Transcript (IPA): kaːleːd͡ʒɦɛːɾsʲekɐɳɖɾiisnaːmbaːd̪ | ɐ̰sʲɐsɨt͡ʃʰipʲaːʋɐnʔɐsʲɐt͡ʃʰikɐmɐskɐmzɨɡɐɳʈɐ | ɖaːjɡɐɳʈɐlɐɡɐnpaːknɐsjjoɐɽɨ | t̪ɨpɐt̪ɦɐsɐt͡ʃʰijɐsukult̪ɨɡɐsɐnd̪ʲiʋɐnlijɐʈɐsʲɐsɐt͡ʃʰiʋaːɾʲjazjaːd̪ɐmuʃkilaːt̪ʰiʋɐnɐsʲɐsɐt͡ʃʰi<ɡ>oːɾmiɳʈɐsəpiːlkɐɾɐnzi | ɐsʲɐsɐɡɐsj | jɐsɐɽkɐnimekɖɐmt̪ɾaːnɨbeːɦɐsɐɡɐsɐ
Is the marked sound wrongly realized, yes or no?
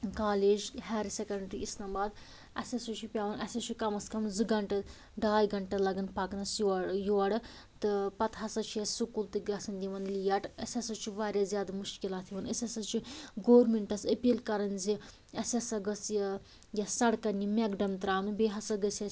no